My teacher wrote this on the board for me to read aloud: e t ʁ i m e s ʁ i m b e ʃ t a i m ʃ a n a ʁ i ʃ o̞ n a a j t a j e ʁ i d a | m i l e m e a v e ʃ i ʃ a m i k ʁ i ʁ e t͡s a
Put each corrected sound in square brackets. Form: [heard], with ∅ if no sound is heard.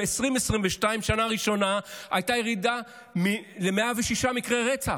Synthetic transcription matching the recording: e [s] ʁ i m e s ʁ i m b e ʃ t a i m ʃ a n a ʁ i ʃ o̞ n a a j t a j e ʁ i d a | m i l e m e a v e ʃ i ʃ a m i k ʁ [e] ʁ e t͡s a